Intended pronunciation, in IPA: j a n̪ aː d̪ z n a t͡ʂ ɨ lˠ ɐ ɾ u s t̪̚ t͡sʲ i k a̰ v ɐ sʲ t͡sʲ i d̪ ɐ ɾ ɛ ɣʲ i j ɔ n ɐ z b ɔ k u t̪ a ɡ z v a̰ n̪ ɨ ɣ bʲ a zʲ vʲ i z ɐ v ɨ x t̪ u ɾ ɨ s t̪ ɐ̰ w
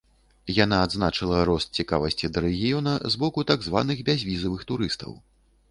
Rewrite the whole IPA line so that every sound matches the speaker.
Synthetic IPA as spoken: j a n̪ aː d̪ z n a t͡ʂ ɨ lˠ ɐ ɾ ɔ s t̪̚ t͡sʲ i k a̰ v ɐ sʲ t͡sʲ i d̪ ɐ ɾ ɛ ɣʲ i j ɔ n ɐ z b ɔ k u t̪ a ɡ z v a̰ n̪ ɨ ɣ bʲ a zʲ vʲ i z ɐ v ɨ x t̪ u ɾ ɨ s t̪ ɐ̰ w